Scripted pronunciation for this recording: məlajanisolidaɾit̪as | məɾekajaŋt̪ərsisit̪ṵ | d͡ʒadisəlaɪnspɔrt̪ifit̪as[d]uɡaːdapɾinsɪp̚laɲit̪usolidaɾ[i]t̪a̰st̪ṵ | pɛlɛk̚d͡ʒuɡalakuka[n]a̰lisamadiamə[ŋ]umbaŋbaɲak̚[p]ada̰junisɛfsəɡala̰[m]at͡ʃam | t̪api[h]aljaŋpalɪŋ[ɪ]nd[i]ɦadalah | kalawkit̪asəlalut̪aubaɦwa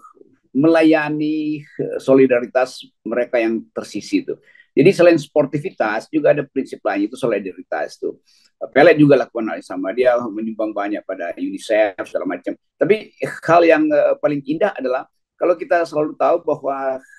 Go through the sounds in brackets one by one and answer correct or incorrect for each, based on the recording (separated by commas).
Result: incorrect, correct, correct, incorrect, correct, correct, correct, incorrect, incorrect